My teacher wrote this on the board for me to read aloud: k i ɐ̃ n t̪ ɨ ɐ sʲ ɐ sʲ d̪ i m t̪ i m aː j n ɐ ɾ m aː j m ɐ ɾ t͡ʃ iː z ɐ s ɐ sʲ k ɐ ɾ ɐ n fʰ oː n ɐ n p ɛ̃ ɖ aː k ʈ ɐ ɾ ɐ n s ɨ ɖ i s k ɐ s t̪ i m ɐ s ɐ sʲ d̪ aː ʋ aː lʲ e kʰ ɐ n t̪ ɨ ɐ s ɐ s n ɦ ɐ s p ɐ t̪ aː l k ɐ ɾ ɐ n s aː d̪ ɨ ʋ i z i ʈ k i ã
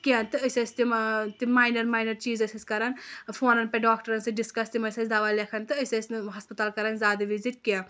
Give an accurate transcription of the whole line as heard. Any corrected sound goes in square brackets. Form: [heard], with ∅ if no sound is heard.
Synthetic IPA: k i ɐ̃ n t̪ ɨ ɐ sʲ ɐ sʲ [t̪] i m t̪ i m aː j n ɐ ɾ m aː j [n] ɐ ɾ t͡ʃ iː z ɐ s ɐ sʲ k ɐ ɾ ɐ n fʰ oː n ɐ n p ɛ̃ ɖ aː k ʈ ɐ ɾ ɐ n s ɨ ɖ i s k ɐ s t̪ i m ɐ s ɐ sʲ d̪ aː ʋ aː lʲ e kʰ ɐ n t̪ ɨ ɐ s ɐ s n ɦ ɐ s p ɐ t̪ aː l k ɐ ɾ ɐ n [z] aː d̪ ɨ ʋ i z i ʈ k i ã